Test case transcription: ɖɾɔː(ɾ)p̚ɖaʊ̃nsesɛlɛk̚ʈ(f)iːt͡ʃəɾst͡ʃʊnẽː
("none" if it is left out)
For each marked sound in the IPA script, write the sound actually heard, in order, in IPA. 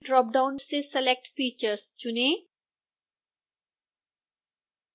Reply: none, f

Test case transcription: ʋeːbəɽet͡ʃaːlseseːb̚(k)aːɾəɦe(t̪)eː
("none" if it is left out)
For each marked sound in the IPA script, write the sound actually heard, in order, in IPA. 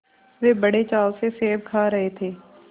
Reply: kʰ, t̪ʰ

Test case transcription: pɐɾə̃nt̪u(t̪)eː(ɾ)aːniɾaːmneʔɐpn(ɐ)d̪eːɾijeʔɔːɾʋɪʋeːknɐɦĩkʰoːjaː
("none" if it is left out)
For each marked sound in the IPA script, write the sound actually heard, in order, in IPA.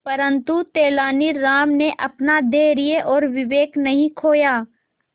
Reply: t̪, l, a

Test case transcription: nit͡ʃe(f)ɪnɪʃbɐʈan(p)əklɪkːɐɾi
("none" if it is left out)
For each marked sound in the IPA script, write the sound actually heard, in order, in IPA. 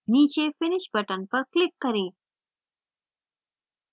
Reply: f, p

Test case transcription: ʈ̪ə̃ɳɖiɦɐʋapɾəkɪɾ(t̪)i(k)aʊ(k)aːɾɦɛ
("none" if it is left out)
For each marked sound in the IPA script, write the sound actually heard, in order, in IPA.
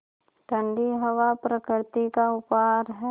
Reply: t̪, k, p

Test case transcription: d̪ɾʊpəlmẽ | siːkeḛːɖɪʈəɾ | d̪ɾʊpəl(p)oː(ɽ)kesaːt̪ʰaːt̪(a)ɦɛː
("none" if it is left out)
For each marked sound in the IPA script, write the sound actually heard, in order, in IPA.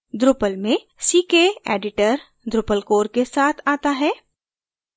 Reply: k, ɾ, a

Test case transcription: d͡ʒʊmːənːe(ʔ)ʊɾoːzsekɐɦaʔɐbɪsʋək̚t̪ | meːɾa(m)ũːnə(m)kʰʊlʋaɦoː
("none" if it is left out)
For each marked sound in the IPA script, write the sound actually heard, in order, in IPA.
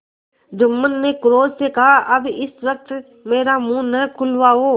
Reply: k, m, none

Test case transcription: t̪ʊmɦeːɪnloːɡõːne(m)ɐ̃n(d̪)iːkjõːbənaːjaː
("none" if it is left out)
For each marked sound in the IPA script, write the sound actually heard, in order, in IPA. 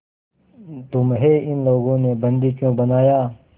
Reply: b, d̪

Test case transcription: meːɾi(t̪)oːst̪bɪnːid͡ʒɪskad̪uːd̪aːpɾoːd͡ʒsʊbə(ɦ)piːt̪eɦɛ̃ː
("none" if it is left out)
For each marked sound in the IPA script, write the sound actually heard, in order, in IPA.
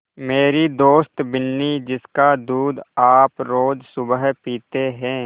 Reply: d̪, ɦ

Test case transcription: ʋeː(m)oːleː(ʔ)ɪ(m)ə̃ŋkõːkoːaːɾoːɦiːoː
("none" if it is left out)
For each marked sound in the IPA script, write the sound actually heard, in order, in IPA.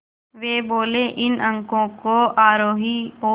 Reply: b, ʔ, n

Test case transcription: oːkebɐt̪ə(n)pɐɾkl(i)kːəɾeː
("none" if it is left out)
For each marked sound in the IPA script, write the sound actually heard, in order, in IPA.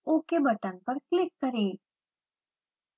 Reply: n, ɪ

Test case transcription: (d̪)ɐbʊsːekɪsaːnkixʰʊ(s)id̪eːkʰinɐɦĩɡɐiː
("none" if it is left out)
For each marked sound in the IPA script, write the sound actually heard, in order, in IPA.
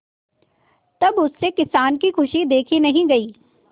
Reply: t̪, ʃ

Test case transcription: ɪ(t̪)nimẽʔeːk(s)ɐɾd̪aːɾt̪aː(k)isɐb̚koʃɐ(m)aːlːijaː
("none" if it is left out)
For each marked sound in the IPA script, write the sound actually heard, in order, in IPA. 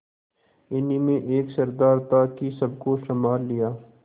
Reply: none, s, k, m

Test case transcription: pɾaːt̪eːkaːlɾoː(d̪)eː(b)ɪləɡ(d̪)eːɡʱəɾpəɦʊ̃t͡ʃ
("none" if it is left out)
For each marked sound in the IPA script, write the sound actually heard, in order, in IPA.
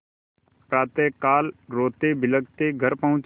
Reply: t̪, b, t̪

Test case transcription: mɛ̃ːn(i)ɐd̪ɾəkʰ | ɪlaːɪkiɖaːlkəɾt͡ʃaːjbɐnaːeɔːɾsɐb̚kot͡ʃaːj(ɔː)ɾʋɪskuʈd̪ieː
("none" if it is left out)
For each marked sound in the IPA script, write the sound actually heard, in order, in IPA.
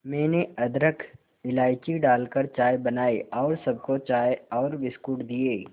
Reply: e, ɔː

